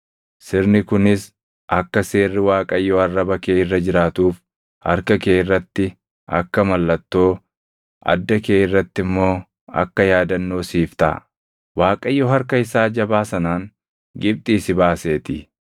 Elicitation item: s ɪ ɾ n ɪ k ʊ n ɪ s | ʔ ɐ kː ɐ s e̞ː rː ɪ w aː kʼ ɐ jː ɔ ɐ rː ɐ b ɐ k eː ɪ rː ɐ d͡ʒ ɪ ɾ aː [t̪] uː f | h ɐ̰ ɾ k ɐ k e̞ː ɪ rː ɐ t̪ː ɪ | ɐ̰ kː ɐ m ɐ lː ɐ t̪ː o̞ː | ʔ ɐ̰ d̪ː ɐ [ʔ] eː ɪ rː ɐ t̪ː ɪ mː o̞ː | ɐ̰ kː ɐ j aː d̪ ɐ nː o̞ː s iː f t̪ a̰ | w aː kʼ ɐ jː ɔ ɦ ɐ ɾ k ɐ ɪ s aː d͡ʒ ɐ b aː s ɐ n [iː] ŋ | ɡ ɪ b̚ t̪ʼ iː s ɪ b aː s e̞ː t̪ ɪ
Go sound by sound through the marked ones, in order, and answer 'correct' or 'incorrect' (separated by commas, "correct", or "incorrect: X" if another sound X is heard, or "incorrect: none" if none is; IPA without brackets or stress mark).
correct, incorrect: k, incorrect: aː